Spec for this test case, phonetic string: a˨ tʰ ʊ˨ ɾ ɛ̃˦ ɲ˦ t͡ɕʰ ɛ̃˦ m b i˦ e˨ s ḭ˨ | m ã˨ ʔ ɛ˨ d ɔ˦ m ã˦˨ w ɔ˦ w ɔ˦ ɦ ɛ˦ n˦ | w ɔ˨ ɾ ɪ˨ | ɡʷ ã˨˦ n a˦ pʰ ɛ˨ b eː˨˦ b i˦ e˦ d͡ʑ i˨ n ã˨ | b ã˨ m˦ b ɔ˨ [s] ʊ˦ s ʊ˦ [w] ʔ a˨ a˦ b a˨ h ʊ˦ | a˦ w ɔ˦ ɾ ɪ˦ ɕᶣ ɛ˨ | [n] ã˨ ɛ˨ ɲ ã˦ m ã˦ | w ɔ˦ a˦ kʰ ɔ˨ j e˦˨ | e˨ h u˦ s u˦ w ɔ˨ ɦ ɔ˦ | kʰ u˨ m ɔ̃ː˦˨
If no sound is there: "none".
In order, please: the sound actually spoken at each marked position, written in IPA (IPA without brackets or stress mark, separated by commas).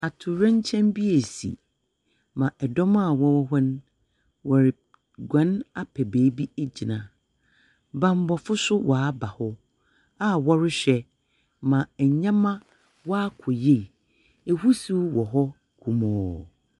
f, w, m